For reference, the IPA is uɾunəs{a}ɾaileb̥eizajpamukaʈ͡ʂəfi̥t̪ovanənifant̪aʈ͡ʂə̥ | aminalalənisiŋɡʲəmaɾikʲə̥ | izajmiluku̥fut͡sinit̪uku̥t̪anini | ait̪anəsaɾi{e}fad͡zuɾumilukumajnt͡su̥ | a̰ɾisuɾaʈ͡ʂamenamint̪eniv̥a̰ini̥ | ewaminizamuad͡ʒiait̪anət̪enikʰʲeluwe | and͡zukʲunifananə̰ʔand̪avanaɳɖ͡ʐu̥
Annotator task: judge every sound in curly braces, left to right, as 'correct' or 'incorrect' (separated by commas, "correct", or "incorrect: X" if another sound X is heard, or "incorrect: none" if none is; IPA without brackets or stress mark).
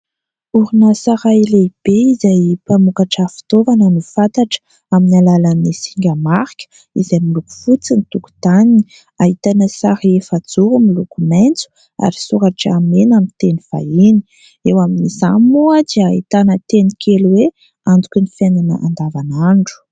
correct, correct